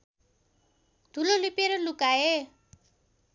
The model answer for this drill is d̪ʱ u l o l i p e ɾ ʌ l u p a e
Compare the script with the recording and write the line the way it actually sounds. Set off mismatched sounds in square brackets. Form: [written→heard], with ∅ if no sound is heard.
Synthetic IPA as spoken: d̪ʱ u l o l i p e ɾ ʌ l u [p→k] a e